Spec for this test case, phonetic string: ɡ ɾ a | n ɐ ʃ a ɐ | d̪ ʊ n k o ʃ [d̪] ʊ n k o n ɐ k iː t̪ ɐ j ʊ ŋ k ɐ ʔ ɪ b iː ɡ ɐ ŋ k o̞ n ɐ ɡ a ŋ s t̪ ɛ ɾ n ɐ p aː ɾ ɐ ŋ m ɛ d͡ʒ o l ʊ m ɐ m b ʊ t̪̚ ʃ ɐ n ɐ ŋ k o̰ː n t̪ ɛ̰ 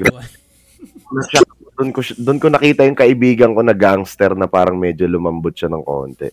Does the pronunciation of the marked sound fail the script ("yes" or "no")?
no